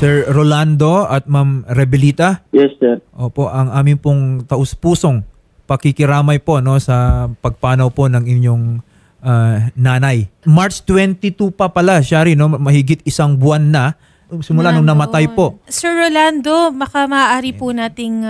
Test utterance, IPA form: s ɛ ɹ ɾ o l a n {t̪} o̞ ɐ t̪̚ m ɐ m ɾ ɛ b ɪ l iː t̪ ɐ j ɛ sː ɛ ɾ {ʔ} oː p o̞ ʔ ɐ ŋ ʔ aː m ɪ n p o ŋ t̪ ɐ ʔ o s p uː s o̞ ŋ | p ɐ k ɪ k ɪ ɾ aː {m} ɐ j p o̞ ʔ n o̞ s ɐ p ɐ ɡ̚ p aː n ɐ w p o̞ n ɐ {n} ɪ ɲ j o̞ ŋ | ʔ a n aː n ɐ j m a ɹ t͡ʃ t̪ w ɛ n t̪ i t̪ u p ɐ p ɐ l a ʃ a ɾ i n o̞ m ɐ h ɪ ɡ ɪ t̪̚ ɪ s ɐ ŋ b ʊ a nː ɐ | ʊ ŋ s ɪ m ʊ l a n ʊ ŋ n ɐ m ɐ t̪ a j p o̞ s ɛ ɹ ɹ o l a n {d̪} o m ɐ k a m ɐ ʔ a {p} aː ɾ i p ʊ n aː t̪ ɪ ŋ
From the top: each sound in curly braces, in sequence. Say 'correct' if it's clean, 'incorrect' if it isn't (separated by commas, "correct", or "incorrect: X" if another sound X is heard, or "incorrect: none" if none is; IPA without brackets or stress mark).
incorrect: d̪, correct, correct, incorrect: ŋ, correct, incorrect: ʔ